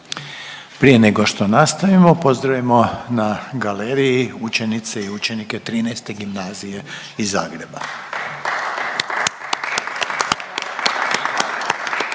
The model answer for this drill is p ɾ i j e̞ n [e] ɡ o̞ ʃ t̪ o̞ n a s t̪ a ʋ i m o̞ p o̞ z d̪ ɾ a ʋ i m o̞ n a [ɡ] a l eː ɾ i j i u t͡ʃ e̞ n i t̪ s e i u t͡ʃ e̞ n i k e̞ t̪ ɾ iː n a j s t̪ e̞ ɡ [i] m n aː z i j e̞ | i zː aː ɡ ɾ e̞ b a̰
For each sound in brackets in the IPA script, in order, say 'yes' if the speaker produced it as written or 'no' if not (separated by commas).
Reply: yes, yes, yes